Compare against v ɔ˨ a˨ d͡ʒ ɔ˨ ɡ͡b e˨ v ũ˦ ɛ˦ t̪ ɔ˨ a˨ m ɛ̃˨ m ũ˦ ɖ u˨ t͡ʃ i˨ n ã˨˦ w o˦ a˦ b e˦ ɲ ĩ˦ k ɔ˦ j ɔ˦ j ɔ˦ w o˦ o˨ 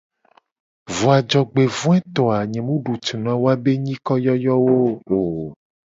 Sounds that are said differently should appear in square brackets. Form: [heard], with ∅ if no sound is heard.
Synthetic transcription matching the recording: v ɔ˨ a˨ d͡ʒ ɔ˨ ɡ͡b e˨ v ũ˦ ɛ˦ t̪ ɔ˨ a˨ [ɲ] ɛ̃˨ m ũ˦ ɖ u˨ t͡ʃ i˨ n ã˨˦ w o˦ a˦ b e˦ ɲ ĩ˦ k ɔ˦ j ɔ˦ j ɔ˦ w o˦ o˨

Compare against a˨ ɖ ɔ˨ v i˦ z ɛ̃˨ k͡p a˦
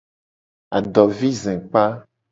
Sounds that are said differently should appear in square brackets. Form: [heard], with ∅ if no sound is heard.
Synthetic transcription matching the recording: a˨ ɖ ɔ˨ v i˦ z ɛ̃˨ k͡p a˦

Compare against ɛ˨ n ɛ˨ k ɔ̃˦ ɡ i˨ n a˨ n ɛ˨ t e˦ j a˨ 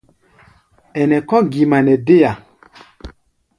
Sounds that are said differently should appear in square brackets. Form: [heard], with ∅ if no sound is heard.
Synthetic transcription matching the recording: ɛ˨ n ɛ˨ k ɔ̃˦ ɡ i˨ [m] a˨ n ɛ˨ [d] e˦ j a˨

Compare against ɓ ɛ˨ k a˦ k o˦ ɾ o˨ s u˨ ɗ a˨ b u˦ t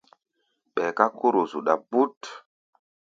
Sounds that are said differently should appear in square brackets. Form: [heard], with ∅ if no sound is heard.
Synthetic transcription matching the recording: ɓ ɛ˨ k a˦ k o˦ ɾ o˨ [z] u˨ ɗ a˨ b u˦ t

